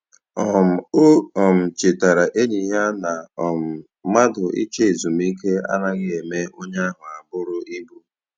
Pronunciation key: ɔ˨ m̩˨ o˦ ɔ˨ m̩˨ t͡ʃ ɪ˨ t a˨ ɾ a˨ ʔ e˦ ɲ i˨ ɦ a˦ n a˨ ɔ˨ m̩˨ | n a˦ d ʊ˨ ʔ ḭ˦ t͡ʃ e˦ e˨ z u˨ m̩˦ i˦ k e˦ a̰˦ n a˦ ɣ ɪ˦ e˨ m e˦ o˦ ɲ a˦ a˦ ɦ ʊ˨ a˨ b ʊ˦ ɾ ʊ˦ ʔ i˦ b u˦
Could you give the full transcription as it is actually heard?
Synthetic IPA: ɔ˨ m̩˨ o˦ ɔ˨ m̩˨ t͡ʃ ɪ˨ t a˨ ɾ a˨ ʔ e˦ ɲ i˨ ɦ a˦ n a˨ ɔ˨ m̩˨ | m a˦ d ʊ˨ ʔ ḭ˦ t͡ʃ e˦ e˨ z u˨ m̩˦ i˦ k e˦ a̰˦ n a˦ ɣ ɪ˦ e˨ m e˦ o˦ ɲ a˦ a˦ ɦ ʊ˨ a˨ b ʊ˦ ɾ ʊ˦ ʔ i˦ b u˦